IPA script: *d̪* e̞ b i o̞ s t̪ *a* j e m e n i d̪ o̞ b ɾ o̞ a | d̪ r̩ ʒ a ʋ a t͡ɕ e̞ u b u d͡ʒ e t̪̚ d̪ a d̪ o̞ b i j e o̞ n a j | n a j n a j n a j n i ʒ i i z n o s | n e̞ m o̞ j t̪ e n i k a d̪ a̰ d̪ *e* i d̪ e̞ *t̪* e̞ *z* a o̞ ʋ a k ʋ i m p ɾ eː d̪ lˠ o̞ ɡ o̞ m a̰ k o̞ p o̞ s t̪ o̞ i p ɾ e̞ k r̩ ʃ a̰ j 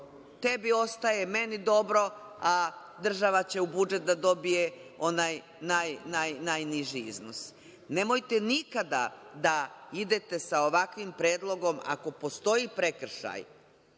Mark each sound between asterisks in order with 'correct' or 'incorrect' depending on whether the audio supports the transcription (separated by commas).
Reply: incorrect, correct, incorrect, correct, incorrect